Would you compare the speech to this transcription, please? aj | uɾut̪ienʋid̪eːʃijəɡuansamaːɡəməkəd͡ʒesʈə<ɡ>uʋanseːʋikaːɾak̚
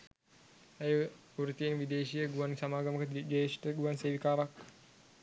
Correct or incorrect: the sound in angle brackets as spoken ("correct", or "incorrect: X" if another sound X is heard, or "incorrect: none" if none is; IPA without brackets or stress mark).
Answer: correct